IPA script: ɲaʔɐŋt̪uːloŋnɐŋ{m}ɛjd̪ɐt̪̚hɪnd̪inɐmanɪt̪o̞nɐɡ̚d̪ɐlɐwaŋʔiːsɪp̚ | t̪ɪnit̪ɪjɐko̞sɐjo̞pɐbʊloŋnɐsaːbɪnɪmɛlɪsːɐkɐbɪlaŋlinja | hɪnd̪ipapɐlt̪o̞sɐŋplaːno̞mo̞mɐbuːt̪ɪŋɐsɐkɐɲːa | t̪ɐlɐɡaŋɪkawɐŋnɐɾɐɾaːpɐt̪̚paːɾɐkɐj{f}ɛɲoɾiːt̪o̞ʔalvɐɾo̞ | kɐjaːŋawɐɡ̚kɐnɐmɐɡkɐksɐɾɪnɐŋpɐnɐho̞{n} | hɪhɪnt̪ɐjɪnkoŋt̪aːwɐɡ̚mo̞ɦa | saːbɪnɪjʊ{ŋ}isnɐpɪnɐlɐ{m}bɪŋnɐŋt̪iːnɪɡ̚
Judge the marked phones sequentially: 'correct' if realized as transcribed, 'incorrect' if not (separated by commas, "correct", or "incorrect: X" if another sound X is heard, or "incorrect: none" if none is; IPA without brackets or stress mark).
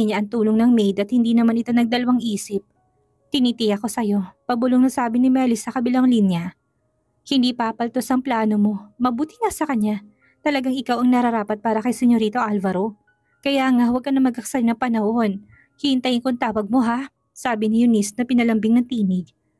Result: correct, incorrect: s, correct, incorrect: n, correct